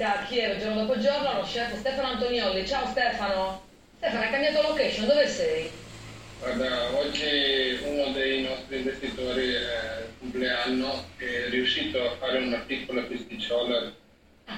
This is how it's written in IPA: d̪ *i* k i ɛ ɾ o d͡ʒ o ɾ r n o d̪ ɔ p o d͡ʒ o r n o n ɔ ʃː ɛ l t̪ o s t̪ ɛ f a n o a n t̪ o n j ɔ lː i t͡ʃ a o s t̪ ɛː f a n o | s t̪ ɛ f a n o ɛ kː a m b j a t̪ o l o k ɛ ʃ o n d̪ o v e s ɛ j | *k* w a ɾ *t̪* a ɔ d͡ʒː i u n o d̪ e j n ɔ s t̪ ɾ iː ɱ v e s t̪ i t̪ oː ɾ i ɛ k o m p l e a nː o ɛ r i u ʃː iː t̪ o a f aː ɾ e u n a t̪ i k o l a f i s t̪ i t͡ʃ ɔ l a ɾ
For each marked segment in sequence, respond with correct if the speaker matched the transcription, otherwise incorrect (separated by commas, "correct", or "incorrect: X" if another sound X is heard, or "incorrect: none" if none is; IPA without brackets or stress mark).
incorrect: a, incorrect: ɡ, incorrect: d̪